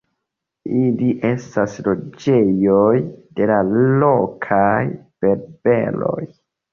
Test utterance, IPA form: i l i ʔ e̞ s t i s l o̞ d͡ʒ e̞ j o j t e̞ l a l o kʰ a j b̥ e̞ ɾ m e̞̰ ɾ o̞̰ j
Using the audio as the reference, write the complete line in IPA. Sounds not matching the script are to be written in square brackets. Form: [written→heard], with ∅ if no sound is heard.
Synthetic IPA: i l i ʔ e̞ s t [i→a] s l o̞ d͡ʒ e̞ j o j [t→d] e̞ l a l o kʰ a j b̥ e̞ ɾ [m→b] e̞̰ [ɾ→l] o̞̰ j